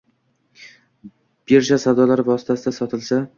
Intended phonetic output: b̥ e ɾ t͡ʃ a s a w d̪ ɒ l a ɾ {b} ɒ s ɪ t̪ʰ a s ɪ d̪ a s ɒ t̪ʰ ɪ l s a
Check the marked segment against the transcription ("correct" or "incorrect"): incorrect